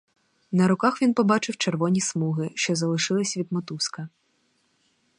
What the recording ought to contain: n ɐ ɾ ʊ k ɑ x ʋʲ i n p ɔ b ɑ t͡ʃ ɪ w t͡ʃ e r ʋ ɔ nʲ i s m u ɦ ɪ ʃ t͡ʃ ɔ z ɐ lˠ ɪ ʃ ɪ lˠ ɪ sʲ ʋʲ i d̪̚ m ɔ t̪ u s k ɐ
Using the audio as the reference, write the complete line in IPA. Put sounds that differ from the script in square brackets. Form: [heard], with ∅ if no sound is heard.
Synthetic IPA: n ɐ ɾ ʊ k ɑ x ʋʲ i n p ɔ b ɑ t͡ʃ ɪ w t͡ʃ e r ʋ ɔ nʲ i s m u ɦ ɪ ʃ t͡ʃ ɔ z ɐ lˠ ɪ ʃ ɪ lˠ ɪ sʲ ʋʲ i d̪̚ m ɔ t̪ u s k ɐ